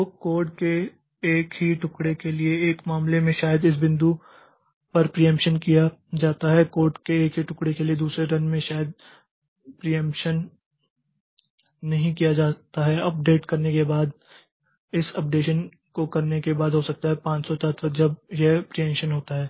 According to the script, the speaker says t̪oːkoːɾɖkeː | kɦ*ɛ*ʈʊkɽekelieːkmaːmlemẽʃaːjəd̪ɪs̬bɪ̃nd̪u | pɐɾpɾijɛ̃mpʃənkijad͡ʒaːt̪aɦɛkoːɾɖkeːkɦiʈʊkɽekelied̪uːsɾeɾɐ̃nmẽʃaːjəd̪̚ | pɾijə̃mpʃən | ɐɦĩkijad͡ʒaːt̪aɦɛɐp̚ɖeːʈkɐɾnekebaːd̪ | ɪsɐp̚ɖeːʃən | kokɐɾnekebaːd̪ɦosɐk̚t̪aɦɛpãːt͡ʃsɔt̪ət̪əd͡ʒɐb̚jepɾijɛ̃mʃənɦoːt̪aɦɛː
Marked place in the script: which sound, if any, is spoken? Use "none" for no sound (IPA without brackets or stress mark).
i